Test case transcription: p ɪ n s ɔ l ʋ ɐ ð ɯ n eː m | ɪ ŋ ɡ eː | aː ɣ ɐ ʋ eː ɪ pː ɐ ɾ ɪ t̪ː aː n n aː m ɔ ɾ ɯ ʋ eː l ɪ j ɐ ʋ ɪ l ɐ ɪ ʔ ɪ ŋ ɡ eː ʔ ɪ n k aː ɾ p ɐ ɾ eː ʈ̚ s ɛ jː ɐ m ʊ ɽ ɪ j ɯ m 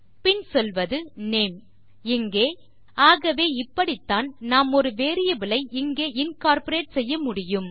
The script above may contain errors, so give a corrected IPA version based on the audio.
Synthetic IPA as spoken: p ɪ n s ɔ l ʋ ɐ ð ɯ n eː m | ɪ ŋ ɡ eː | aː ɣ ɐ ʋ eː ɪ pː ɐ ɽ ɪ t̪ː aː n n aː m ɔ ɾ ɯ ʋ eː ɾ ɪ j ɐ ʋ ɪ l ɐ ɪ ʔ ɪ ŋ ɡ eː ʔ ɪ n k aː ɾ p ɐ ɾ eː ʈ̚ s ɛ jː ɐ m ʊ ɽ ɪ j ɯ m